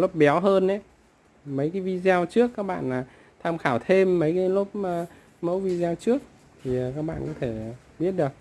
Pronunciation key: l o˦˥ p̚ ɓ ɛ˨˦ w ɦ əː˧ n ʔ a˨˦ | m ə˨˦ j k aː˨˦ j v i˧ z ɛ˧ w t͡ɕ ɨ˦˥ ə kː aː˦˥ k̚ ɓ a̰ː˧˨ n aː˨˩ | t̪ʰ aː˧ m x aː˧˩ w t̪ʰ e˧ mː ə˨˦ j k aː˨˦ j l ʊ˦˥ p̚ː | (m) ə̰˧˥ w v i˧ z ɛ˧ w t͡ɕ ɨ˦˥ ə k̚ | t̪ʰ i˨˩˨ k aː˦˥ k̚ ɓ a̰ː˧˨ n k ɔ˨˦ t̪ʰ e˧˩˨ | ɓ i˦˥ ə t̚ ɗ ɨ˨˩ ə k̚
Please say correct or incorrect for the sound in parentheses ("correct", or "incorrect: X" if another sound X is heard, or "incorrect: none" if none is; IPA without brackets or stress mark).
correct